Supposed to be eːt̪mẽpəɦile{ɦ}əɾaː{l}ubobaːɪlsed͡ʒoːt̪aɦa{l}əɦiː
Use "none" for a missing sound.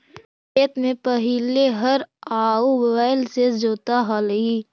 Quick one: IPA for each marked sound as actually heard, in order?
ɦ, none, l

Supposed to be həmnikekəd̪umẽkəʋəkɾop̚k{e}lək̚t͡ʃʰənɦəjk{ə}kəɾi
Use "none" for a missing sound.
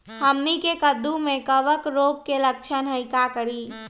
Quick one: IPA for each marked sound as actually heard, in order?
e, a

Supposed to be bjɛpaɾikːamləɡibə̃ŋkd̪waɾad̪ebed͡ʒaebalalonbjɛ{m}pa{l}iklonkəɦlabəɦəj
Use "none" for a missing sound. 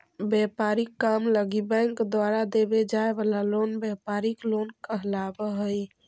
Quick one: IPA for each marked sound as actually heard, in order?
none, ɾ

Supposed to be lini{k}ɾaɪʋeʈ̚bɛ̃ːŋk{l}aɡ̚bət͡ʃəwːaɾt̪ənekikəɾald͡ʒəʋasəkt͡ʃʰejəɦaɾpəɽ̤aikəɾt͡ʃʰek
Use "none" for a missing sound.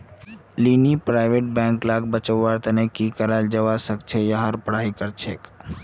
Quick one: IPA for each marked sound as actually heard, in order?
p, l

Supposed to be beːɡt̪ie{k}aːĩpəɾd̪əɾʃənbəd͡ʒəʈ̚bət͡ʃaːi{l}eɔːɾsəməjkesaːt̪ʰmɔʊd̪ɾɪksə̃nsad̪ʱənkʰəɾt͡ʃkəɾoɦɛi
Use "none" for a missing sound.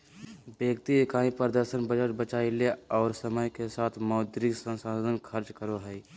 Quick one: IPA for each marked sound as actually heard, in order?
k, l

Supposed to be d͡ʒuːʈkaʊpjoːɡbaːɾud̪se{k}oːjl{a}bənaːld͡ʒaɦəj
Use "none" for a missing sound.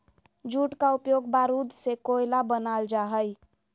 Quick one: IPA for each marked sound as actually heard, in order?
k, a

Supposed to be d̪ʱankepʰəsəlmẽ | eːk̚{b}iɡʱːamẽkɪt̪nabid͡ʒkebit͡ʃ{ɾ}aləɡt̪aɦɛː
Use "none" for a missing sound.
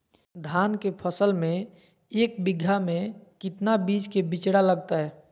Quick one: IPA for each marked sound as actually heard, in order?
b, ɽ

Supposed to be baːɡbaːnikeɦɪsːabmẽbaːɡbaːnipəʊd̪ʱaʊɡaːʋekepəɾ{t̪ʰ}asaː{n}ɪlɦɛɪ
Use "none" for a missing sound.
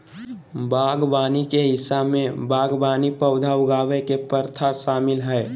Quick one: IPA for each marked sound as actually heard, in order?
t̪ʰ, m

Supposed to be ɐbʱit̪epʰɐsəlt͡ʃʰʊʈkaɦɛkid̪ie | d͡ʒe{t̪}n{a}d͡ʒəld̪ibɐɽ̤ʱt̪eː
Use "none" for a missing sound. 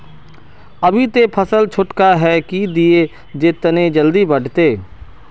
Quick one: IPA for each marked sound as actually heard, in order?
t̪, e

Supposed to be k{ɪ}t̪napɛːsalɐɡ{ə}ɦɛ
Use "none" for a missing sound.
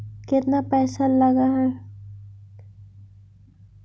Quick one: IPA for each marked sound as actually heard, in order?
ɪ, a

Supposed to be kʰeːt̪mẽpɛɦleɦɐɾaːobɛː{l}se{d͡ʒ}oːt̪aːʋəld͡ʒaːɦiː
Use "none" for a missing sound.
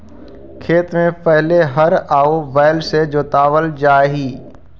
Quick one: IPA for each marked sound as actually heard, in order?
l, d͡ʒ

